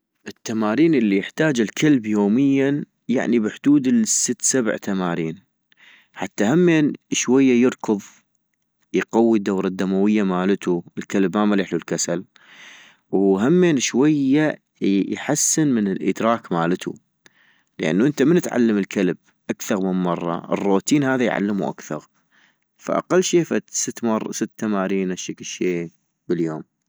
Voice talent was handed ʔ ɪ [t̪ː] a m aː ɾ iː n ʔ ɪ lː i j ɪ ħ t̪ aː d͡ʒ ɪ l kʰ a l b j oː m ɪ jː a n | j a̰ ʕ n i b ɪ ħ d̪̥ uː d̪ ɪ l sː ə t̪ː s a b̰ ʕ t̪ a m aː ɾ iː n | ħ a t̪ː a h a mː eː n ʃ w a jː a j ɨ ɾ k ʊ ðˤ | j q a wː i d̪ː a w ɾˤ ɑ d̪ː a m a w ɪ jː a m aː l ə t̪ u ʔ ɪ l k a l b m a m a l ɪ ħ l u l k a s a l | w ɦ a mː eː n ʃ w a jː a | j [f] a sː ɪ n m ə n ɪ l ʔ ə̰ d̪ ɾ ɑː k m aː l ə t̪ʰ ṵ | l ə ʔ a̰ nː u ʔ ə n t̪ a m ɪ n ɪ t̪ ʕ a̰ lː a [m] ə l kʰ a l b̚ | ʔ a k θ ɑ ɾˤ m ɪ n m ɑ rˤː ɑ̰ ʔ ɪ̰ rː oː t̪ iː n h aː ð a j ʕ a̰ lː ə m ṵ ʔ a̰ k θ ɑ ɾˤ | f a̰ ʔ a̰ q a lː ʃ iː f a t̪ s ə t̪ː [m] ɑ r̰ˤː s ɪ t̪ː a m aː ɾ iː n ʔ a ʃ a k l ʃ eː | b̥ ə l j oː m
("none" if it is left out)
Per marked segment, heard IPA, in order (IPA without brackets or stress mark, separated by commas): t̪ː, ħ, m, m